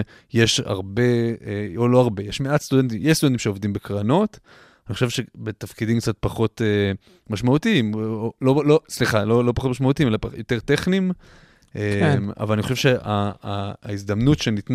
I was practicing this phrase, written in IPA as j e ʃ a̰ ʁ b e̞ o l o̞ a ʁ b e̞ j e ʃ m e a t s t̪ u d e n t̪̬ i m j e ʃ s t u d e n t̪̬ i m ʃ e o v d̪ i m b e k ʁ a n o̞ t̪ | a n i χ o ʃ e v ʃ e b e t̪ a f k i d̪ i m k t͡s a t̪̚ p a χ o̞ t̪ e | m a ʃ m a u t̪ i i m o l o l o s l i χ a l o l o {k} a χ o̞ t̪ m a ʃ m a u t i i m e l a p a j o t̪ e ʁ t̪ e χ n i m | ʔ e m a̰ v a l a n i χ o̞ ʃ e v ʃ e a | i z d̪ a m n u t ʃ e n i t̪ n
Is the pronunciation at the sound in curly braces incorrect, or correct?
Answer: incorrect